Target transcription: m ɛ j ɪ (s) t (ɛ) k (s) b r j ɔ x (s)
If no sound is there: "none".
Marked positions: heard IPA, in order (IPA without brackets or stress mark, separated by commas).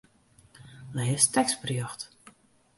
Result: s, ɛ, s, t